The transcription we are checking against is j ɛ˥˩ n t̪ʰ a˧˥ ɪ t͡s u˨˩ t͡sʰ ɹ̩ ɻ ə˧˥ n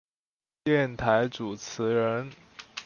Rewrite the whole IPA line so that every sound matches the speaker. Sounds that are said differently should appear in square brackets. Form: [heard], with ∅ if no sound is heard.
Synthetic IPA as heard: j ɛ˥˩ n t̪ʰ a˧˥ ɪ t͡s u˨˩ t͡sʰ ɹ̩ ɻ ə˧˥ n